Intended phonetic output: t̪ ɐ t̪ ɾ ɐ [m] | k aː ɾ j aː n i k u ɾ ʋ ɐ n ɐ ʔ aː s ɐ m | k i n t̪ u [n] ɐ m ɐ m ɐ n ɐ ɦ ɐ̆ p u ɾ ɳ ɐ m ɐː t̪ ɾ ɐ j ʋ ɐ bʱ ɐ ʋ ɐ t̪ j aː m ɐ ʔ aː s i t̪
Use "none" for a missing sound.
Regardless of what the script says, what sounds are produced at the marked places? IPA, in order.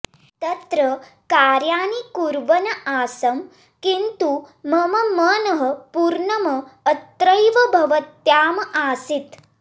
none, m

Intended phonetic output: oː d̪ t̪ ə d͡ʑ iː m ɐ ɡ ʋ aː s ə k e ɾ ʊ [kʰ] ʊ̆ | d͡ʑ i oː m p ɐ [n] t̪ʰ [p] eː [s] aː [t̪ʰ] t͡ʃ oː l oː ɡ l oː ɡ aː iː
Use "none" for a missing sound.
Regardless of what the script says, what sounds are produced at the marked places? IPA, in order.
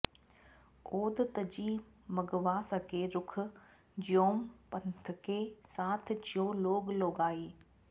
kʰ, n, k, s, t̪ʰ

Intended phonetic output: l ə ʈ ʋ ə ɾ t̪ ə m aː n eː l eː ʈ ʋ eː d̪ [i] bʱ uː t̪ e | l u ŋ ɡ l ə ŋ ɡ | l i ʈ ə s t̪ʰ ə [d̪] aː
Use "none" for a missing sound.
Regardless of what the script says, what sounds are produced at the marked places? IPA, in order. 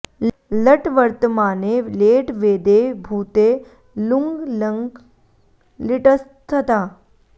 e, t̪

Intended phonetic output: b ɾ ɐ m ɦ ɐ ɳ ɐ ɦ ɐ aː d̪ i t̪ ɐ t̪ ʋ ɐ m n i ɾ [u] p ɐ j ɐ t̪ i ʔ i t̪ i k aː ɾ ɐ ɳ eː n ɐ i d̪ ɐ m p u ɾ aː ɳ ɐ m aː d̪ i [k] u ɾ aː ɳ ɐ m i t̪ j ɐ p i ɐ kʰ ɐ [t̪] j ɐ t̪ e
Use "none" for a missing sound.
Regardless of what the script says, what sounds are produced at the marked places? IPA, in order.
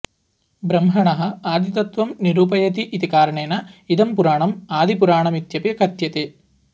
uː, p, t̪

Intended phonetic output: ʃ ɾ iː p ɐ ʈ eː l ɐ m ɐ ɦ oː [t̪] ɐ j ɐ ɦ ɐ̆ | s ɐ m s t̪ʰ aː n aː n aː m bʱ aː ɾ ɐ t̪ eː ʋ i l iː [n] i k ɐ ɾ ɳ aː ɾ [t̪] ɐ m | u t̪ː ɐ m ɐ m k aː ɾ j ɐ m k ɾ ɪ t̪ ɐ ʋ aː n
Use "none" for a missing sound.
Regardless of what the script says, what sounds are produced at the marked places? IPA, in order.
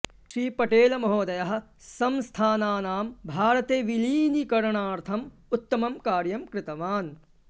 d̪, n, t̪ʰ

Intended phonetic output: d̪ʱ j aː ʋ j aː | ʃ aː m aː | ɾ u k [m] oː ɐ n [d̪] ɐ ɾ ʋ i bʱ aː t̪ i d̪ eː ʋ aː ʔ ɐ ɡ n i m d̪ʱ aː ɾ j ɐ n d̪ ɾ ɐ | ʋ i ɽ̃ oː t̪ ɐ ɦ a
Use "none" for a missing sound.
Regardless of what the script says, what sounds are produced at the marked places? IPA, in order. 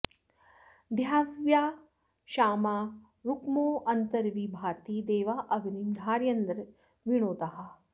m, t̪

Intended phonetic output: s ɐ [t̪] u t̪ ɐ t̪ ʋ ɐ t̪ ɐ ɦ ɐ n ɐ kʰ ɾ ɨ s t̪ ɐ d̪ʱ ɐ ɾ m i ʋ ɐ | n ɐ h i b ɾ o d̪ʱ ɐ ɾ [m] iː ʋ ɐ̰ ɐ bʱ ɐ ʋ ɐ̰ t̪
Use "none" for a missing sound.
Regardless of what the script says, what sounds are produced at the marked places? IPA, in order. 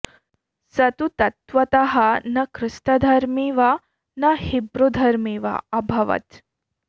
t̪, m

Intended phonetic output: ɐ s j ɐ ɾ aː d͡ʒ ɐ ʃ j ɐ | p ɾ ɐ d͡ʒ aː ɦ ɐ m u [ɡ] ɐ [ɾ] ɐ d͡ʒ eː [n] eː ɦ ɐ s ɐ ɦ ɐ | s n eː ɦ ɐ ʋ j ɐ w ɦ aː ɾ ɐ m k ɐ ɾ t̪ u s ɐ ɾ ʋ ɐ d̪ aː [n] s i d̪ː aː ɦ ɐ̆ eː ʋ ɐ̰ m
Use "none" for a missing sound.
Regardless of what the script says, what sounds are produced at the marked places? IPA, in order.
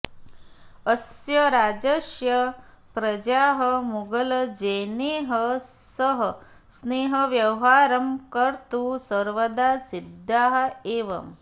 ɡ, l, n, none

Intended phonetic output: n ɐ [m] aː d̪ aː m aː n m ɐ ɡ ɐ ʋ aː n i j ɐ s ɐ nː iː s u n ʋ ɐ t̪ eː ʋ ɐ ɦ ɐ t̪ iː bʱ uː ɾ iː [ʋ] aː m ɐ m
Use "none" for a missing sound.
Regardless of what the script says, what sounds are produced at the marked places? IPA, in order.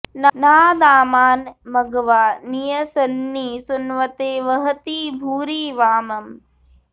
n, ʋ

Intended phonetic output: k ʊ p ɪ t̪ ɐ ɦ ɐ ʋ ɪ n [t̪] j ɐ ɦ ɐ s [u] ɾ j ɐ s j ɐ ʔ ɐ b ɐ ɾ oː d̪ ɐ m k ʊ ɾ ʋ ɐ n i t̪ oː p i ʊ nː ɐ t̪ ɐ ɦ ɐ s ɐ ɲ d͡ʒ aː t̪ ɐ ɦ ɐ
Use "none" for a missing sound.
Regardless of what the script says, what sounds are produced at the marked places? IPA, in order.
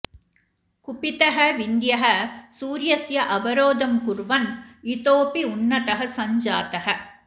d̪, uː

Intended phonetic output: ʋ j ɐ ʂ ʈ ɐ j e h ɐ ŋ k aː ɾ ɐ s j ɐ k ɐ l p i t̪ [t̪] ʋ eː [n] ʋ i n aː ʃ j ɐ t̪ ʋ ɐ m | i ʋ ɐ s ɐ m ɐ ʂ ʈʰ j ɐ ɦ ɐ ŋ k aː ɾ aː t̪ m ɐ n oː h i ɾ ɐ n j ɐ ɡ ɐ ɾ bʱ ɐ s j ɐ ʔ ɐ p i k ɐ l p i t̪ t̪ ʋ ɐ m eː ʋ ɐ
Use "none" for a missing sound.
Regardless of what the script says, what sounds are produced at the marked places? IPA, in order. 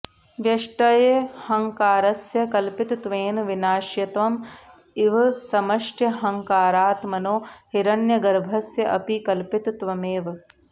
t̪, n

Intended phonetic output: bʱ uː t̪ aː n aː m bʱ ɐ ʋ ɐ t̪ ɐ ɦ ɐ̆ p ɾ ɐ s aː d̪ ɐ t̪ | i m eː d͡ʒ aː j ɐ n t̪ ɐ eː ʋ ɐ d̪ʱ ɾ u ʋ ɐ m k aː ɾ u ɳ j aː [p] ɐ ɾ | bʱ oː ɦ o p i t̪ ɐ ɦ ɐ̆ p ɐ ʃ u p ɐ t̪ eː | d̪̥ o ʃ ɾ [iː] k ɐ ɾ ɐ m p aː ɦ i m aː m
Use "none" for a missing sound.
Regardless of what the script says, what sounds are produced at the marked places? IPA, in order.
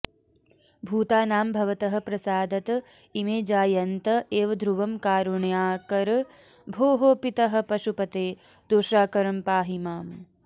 k, aː

